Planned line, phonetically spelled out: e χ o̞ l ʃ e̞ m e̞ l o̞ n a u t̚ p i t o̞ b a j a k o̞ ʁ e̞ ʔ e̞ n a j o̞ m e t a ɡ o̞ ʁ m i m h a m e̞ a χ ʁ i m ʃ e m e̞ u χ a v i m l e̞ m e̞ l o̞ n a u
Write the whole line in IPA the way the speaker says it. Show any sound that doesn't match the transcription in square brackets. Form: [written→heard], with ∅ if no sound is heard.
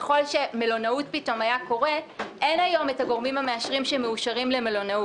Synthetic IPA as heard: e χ o̞ l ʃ e̞ m e̞ l o̞ n a u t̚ p i t o̞ [b→m] a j a k o̞ ʁ e̞ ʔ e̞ n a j o̞ m e t a ɡ o̞ ʁ m i m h a m e̞ a [χ→ʃ] ʁ i m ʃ e m e̞ u [χ→ʃ] a [v→ʁ] i m l e̞ m e̞ l o̞ n a u